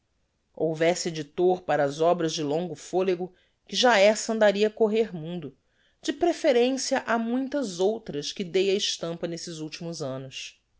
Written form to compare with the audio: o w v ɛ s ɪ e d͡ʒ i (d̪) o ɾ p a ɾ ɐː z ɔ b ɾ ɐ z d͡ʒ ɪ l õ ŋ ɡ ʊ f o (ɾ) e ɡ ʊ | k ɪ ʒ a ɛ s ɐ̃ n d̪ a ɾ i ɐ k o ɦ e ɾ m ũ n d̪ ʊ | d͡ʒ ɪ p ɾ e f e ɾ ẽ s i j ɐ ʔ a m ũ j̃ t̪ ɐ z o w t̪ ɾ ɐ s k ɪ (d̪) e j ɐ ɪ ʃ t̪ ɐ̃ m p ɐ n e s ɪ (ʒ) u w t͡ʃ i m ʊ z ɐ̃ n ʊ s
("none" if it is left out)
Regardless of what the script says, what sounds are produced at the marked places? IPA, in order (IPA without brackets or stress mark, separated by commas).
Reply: t̪, l, d̪, z